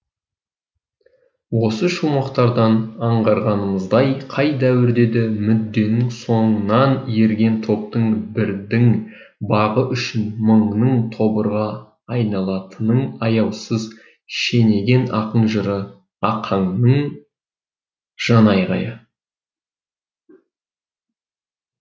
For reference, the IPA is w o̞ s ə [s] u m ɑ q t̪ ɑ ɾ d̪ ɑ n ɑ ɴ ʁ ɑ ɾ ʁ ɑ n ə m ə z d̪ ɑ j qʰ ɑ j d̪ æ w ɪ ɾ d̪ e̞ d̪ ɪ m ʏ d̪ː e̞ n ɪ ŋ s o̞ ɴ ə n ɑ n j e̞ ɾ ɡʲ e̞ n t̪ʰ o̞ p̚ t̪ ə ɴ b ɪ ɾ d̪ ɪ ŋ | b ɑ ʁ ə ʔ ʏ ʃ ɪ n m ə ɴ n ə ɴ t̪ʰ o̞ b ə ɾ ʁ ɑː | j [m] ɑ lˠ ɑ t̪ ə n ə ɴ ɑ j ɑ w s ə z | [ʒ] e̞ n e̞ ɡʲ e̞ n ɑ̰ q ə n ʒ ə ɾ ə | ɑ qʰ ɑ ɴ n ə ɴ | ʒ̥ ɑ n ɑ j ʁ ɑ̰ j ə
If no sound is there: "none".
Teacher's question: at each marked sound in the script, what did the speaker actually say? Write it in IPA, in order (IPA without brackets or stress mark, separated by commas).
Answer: ʃ, n, ʃ